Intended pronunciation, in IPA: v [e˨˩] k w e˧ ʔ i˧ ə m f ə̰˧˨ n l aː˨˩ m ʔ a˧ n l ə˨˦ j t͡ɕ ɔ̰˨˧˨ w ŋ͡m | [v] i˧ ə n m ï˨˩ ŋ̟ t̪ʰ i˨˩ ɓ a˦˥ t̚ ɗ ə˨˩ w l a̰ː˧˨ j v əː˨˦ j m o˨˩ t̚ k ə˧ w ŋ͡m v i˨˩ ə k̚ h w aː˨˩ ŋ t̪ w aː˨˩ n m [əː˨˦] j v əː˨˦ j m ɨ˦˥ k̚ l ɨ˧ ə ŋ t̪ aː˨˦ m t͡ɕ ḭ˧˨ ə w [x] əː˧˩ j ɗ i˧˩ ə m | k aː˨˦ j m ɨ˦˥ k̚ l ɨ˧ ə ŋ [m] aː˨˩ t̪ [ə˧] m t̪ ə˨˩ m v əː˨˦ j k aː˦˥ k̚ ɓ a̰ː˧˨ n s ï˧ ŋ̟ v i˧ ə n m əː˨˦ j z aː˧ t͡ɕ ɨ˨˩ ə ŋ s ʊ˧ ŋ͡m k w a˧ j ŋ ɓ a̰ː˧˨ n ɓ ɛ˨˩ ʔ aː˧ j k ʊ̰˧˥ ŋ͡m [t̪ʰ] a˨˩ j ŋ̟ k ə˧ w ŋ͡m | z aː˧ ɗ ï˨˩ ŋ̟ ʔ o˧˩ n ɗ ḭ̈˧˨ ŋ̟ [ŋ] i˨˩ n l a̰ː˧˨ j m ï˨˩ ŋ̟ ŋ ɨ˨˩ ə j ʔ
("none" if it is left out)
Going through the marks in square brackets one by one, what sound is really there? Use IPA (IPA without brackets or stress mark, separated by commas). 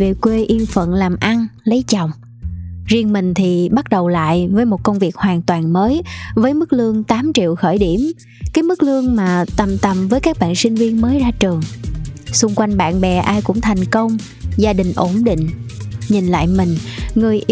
e˨˩, z, əː˨˦, x, m, ə˨˩, t̪ʰ, ɲ